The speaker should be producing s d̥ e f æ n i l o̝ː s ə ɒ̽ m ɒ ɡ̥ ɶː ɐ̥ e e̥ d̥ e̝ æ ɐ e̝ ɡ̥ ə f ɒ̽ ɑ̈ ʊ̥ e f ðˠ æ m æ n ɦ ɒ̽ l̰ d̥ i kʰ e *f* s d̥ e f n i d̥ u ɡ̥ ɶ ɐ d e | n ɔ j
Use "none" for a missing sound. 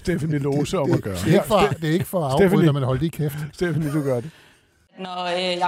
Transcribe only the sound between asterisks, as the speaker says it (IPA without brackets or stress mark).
f